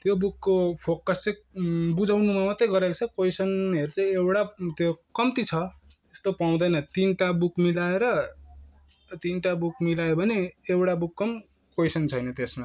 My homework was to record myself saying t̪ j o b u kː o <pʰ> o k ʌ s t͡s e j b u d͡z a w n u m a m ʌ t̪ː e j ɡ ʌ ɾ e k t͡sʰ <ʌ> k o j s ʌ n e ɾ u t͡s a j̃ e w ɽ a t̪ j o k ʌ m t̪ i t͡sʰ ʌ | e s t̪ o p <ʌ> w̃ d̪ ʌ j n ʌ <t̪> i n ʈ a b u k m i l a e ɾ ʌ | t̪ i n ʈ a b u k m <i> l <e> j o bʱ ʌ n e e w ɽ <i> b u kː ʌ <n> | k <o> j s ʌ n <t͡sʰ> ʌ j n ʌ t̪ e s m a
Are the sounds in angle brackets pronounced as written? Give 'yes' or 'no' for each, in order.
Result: yes, yes, no, yes, yes, no, no, no, yes, yes

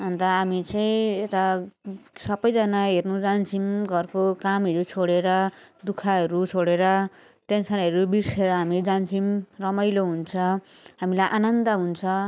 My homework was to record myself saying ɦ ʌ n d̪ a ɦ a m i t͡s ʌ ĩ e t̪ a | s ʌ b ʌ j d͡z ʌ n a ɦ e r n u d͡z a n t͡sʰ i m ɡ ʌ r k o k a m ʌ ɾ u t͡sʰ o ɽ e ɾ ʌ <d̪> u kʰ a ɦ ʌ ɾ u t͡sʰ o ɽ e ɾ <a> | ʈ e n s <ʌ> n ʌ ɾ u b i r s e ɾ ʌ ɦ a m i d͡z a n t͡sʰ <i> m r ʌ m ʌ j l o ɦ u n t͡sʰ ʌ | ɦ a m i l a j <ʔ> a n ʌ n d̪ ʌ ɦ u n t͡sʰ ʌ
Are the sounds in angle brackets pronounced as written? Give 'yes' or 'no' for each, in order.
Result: yes, no, yes, yes, yes

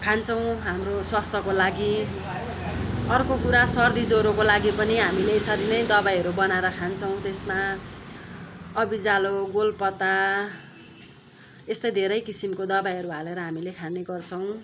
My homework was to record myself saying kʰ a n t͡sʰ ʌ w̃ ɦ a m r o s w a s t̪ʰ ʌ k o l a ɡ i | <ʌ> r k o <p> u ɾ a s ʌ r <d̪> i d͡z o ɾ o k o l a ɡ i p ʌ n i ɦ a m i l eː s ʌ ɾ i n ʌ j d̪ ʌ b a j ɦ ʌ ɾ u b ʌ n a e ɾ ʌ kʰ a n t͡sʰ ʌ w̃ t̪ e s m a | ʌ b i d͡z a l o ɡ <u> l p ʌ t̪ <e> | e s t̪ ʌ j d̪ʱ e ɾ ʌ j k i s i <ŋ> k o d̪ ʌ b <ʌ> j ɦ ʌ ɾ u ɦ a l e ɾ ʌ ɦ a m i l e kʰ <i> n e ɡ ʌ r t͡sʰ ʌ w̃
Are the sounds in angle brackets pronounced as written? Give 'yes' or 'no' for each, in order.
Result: yes, no, yes, no, no, no, no, no

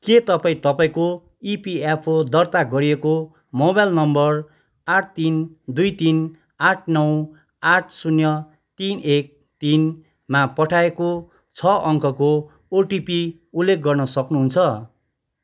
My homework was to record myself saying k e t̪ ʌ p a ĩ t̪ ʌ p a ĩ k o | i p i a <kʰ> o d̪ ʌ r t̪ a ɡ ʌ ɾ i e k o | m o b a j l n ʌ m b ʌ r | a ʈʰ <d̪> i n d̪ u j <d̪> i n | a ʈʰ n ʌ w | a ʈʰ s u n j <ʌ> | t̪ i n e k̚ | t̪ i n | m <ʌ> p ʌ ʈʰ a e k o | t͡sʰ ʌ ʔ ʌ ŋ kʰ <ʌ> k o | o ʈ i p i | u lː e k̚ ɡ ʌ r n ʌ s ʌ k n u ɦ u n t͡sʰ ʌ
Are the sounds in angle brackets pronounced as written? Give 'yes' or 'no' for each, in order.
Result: no, no, no, yes, no, yes

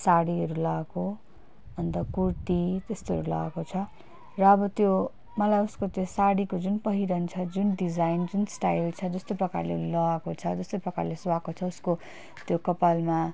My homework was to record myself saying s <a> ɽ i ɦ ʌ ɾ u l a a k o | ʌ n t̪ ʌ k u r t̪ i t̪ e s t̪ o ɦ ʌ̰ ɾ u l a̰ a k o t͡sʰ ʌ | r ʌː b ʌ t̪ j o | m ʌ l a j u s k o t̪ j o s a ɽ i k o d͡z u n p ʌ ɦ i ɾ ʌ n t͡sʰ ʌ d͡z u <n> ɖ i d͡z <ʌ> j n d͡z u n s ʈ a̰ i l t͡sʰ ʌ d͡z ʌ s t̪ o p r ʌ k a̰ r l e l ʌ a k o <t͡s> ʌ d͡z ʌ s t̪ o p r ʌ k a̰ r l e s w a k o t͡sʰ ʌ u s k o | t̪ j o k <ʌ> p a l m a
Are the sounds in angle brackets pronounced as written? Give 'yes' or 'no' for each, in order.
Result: yes, yes, no, no, yes

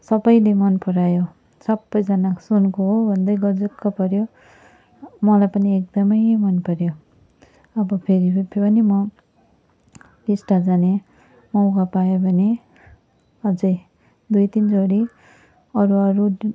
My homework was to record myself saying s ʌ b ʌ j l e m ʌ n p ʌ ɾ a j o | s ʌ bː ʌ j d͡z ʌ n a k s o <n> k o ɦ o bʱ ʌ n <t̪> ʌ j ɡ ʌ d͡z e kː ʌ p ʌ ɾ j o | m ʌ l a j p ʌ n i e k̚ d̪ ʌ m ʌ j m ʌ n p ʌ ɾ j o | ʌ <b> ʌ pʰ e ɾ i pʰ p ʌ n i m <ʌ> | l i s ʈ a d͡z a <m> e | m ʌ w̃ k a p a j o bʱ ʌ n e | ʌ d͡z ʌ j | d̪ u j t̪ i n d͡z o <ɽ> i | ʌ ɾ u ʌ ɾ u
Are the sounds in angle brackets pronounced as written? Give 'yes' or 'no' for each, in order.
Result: yes, no, yes, yes, no, yes

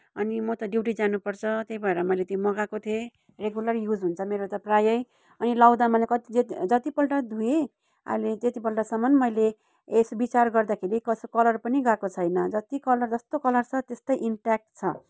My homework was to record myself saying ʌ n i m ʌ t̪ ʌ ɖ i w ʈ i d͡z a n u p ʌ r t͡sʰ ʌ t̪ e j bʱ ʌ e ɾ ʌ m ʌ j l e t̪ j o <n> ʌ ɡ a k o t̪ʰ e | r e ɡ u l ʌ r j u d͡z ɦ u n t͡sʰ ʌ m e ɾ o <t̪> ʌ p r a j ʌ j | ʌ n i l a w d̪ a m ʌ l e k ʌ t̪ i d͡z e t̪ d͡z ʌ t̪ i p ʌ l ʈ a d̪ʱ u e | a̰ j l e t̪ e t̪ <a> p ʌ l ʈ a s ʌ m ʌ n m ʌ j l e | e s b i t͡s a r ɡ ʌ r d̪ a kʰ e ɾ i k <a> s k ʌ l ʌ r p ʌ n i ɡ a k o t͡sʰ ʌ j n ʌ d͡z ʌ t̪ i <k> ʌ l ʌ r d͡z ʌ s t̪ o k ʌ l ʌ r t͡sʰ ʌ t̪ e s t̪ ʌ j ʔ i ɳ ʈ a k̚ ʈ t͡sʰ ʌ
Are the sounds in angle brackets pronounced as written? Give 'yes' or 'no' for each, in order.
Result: no, yes, no, no, yes

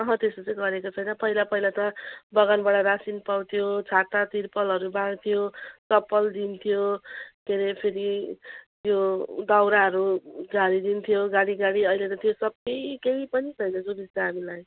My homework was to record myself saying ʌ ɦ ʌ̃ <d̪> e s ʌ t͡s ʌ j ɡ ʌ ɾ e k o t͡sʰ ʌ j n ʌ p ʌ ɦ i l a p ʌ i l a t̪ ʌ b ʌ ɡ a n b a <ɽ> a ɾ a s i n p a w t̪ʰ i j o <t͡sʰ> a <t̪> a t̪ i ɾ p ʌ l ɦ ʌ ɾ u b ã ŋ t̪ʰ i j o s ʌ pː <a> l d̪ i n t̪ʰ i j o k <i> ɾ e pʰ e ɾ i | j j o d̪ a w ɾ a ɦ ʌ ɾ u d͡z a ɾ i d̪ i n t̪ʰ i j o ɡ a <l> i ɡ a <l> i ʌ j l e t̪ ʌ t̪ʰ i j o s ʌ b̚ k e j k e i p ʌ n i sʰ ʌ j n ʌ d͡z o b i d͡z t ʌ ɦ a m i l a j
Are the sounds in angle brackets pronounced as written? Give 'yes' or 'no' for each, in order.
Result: no, yes, yes, yes, no, no, no, no

